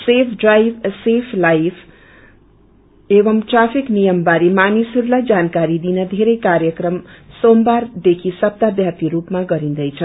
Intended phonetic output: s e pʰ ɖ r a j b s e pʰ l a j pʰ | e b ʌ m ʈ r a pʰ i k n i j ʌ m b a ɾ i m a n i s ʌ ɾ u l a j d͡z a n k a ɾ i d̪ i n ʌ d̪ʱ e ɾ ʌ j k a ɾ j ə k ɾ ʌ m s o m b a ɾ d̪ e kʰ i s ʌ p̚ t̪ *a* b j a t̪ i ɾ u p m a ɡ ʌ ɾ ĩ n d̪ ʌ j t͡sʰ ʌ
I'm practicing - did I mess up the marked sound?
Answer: no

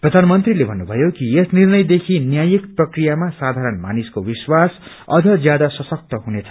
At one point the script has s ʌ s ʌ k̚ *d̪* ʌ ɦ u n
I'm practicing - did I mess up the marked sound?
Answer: yes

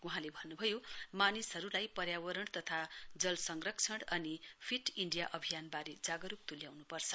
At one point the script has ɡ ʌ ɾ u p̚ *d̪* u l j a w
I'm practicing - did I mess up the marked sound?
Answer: yes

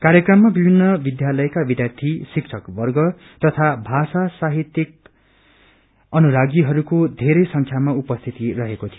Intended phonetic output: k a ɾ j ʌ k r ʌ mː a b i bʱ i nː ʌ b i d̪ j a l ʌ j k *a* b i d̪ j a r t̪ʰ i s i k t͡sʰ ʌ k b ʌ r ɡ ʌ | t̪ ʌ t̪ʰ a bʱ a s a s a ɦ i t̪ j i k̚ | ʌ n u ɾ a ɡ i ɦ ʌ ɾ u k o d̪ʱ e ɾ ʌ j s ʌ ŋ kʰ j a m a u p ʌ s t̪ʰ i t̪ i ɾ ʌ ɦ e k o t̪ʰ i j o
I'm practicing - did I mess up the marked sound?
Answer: no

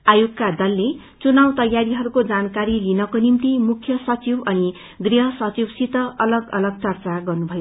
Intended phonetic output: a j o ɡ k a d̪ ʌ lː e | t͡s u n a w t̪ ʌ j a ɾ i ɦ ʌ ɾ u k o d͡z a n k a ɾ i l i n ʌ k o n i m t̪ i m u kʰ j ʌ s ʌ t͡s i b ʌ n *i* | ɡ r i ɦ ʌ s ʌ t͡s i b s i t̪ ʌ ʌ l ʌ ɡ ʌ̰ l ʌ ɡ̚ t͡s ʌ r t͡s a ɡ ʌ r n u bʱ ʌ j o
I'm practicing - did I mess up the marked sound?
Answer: no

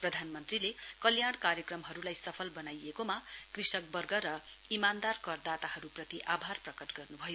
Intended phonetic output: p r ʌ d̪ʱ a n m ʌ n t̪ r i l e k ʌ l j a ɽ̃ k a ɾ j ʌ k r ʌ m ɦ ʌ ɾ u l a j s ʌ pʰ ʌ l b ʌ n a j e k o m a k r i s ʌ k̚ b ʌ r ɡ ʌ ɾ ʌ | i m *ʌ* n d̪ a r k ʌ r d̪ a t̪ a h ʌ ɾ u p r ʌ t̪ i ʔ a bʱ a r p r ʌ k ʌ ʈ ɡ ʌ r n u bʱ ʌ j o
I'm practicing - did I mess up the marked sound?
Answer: yes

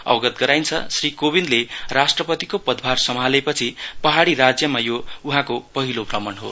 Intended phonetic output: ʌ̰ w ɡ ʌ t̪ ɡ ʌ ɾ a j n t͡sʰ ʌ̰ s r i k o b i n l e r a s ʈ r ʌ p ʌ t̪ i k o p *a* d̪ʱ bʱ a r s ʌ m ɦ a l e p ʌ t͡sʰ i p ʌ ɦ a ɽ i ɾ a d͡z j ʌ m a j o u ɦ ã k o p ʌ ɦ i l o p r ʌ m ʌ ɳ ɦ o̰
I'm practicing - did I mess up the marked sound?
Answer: yes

